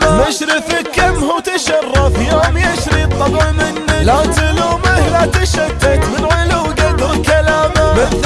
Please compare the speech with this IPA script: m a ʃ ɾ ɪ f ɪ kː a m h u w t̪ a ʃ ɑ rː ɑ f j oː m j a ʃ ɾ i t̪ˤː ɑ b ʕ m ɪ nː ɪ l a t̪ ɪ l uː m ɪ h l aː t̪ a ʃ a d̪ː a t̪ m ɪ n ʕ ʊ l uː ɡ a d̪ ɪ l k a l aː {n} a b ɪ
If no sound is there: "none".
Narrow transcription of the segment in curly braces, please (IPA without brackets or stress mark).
m